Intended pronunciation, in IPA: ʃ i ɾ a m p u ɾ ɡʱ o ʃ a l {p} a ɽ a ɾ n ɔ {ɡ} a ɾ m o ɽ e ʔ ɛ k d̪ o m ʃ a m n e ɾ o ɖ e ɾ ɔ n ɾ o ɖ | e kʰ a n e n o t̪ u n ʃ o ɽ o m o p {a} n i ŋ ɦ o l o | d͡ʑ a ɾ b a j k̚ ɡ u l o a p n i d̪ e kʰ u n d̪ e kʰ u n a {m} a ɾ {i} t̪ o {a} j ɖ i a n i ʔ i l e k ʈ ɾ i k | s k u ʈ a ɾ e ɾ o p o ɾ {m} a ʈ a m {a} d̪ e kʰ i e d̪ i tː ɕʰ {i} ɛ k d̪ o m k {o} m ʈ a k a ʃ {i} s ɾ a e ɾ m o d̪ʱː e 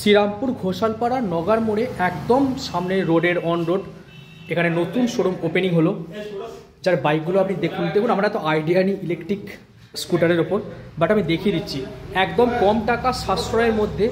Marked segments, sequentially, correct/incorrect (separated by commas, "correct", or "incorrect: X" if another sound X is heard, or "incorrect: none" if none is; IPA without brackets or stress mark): correct, correct, incorrect: e, correct, incorrect: ɛ, correct, incorrect: b, incorrect: i, correct, incorrect: ɔ, incorrect: a